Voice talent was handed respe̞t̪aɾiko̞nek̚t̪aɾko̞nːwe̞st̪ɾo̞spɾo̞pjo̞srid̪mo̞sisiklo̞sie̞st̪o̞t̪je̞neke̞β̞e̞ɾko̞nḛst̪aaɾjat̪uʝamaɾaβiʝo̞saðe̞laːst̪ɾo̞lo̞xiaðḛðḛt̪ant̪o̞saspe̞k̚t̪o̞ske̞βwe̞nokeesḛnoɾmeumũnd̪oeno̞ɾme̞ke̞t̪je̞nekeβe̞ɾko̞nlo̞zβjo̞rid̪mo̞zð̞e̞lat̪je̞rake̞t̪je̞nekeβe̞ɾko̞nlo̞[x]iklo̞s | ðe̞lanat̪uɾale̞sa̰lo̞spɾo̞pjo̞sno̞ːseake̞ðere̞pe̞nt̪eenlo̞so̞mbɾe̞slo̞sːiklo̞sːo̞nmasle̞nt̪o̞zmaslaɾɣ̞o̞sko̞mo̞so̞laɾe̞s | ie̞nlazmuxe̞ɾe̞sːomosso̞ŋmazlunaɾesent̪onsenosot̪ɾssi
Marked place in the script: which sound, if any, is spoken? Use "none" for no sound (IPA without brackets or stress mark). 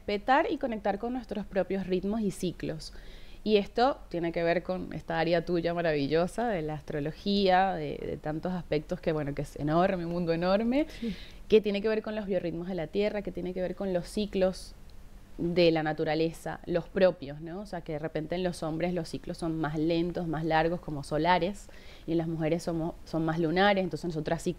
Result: s